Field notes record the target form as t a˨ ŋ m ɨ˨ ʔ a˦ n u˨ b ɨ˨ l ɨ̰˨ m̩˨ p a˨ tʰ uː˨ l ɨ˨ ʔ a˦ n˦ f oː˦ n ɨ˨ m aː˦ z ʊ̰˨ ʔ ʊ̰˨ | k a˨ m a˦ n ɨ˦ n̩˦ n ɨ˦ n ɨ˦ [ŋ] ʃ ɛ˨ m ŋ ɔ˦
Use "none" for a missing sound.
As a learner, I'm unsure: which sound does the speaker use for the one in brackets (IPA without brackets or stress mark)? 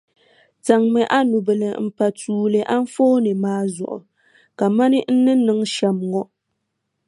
ŋ